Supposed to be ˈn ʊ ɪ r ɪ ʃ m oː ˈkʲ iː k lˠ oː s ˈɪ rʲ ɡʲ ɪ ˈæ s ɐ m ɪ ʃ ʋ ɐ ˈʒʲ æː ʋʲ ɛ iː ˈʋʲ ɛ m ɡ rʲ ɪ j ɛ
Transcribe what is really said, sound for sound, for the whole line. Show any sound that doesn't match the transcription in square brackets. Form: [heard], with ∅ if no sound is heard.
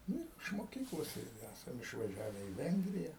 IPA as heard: ˈn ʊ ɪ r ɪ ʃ m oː ˈkʲ iː k lˠ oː s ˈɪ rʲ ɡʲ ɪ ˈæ s ɐ m ɪ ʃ ʋ ɐ ˈʒʲ æː ʋʲ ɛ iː ˈʋʲ ɛ [ŋ] ɡ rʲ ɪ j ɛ

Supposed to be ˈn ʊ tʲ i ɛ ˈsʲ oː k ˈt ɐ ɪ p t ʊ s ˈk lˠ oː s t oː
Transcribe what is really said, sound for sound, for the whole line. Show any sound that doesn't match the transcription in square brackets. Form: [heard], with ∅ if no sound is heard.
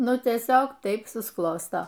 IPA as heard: ˈn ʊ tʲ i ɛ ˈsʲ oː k ˈt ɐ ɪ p [s] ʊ s ˈk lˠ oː s t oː

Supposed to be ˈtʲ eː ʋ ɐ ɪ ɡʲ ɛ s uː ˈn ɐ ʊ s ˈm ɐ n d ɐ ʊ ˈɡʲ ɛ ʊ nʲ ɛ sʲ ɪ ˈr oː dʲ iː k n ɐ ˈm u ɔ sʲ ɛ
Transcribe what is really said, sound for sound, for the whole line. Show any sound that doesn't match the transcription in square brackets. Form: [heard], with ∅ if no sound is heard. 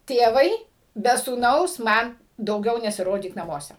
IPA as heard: ˈtʲ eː ʋ ɐ ɪ [bʲ] ɛ s uː ˈn ɐ ʊ s ˈm ɐ n d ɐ ʊ ˈɡʲ ɛ ʊ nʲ ɛ sʲ ɪ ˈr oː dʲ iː k n ɐ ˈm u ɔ sʲ ɛ

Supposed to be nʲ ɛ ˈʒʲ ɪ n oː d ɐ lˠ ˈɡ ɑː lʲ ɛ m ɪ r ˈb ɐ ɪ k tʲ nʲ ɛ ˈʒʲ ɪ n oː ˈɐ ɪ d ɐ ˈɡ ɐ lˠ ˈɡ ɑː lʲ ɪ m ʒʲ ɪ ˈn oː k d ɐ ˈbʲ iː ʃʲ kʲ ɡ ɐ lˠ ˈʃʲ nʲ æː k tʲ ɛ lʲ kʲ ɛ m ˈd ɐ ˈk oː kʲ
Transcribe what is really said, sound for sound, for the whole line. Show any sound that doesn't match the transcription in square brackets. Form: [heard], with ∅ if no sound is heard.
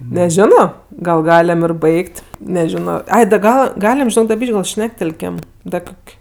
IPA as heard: nʲ ɛ ˈʒʲ ɪ n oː [ɡ] ɐ lˠ ˈɡ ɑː lʲ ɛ m ɪ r ˈb ɐ ɪ k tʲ nʲ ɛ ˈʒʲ ɪ n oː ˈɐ ɪ d ɐ ˈɡ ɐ lˠ ˈɡ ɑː lʲ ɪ m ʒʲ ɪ ˈn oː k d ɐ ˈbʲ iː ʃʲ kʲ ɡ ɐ lˠ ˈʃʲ nʲ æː k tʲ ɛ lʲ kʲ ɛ m ˈd ɐ ˈk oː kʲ

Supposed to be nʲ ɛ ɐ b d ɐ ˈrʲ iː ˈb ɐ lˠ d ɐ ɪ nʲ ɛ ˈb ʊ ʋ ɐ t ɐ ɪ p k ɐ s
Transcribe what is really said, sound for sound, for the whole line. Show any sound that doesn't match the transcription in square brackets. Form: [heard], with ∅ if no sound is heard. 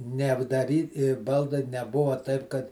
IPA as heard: nʲ ɛ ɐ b d ɐ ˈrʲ iː ˈb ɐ lˠ d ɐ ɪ nʲ ɛ ˈb ʊ ʋ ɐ t ɐ ɪ p k ɐ [t]

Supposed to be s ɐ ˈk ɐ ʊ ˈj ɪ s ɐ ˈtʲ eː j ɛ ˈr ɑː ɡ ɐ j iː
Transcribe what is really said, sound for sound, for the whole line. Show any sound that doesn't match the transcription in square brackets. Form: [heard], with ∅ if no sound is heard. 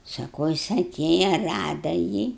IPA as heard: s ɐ ˈk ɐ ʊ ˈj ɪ s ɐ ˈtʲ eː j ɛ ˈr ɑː [d] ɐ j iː

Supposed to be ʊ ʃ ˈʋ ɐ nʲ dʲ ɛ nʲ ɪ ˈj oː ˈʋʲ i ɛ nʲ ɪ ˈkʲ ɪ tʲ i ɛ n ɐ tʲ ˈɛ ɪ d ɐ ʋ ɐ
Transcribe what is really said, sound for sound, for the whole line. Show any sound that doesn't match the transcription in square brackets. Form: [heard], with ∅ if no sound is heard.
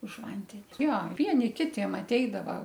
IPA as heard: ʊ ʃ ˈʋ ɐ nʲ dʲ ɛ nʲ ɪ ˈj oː ˈʋʲ i ɛ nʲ ɪ ˈkʲ ɪ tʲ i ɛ [m] ɐ tʲ ˈɛ ɪ d ɐ ʋ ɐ

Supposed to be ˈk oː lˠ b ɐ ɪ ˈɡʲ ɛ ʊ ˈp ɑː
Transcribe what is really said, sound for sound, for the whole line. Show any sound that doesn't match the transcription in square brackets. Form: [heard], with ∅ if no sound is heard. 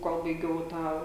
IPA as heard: ˈk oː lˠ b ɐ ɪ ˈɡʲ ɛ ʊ [ˈt] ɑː

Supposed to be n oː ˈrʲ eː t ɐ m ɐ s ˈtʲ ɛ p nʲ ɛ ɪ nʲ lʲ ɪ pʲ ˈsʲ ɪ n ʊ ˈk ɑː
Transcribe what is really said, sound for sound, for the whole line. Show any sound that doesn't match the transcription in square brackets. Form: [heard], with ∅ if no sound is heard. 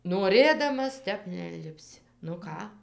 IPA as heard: n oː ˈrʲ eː [d] ɐ m ɐ s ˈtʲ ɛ p nʲ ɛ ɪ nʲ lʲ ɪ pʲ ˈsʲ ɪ n ʊ ˈk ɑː

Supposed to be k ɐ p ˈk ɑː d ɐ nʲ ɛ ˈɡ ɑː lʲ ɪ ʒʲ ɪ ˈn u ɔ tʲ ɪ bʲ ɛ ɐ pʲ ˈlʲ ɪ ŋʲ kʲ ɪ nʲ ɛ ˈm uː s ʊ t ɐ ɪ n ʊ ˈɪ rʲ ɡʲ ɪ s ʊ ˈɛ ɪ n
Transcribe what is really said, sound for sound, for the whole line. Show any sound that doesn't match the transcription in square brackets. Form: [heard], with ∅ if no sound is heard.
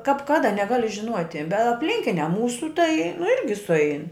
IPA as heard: k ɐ p ˈk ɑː d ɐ nʲ ɛ ˈɡ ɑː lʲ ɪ ʒʲ ɪ ˈn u ɔ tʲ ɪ bʲ ɛ ɐ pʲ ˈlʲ ɪ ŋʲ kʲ ɪ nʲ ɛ ˈm uː s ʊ t ɐ ɪ n ʊ ˈɪ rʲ ɡʲ ɪ s ʊ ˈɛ ɪ n

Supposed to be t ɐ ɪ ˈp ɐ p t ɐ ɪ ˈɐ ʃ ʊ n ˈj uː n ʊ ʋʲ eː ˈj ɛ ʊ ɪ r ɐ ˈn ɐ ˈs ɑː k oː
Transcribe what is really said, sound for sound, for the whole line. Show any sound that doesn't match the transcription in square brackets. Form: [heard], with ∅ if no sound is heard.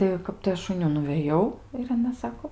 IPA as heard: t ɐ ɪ [ˈk] ɐ p t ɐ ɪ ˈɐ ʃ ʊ n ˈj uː n ʊ ʋʲ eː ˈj ɛ ʊ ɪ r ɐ ˈn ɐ ˈs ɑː k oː

